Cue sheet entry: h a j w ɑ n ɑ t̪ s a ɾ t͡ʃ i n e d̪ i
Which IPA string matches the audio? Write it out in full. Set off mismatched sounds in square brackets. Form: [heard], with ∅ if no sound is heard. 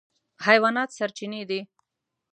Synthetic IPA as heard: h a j w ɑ n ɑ t̪ s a ɾ t͡ʃ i n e d̪ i